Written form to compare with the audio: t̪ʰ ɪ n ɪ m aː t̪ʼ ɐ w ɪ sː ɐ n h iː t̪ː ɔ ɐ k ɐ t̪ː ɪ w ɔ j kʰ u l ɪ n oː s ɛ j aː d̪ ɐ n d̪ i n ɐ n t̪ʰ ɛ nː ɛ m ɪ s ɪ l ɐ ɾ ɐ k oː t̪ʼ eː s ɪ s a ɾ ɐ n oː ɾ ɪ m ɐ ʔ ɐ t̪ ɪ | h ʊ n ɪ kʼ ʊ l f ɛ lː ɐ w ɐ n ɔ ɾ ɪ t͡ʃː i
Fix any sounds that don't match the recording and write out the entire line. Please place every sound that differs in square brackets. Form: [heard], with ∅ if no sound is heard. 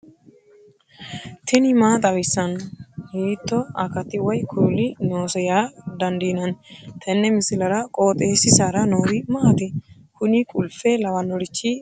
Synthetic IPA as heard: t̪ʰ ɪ n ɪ m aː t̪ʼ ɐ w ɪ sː ɐ n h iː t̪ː ɔ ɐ k ɐ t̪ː ɪ w ɔ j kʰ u l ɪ n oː s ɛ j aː d̪ ɐ n d̪ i n ɐ n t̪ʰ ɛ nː ɛ m ɪ s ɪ l ɐ ɾ ɐ [kʼ] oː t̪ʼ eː s ɪ s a ɾ ɐ n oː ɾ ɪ m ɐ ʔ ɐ t̪ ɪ | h ʊ n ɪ kʼ ʊ l f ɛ [l] ɐ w ɐ n ɔ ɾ ɪ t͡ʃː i

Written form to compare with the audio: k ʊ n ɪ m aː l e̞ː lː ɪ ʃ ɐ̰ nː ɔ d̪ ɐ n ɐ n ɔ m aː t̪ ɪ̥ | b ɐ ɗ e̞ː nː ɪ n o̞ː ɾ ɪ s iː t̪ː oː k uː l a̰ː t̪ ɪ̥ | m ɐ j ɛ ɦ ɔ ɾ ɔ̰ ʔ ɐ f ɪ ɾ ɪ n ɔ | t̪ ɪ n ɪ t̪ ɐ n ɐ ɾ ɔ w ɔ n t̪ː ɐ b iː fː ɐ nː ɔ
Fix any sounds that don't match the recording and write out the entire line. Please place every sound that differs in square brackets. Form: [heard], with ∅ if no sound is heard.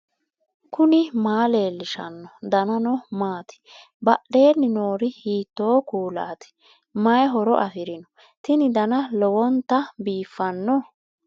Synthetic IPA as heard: k ʊ n ɪ m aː l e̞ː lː ɪ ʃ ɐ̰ nː ɔ d̪ ɐ n ɐ n ɔ m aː t̪ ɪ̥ | b ɐ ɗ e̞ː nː ɪ n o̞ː ɾ ɪ [h] iː t̪ː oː k uː l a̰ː t̪ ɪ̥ | m ɐ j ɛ ɦ ɔ ɾ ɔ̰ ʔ ɐ f ɪ ɾ ɪ n ɔ | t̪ ɪ n ɪ [d̪] ɐ n ɐ [l] ɔ w ɔ n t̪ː ɐ b iː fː ɐ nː ɔ

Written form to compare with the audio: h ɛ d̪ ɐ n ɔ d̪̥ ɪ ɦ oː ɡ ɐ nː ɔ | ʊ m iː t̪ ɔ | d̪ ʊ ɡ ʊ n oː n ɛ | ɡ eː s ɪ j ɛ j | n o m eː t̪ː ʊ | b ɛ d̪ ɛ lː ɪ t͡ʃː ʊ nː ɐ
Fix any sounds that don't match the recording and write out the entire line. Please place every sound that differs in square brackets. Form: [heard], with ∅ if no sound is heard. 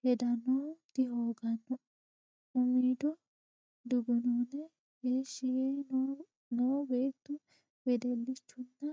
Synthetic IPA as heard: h ɛ d̪ ɐ n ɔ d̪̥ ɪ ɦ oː ɡ ɐ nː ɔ | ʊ m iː [d̪] ɔ | d̪ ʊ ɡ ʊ n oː n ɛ | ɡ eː [ʃ] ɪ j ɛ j | n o [b] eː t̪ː ʊ | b ɛ d̪ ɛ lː ɪ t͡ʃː ʊ nː ɐ

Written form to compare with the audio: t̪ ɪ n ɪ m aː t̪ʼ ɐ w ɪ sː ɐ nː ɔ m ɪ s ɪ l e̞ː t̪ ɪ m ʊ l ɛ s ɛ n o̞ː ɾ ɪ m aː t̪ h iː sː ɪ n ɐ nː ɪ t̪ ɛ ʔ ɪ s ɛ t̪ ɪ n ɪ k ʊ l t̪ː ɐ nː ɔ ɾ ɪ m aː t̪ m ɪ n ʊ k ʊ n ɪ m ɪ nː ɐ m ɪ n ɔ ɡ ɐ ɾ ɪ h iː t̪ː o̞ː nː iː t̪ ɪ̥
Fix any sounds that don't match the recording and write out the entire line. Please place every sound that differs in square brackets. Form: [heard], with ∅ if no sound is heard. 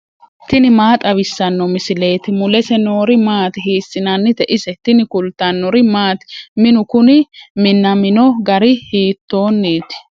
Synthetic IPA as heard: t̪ ɪ n ɪ m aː t̪ʼ ɐ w ɪ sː ɐ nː ɔ m ɪ s ɪ l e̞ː t̪ ɪ m ʊ l ɛ s ɛ n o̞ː ɾ ɪ m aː t̪ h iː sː ɪ n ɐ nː ɪ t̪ ɛ ʔ ɪ s ɛ t̪ ɪ n ɪ k ʊ l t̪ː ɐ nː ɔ ɾ ɪ m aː t̪ m ɪ n ʊ k ʊ n ɪ m ɪ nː ɐ m ɪ n ɔ ɡ ɐ ɾ ɪ h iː t̪ː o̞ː nː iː t̪ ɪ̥

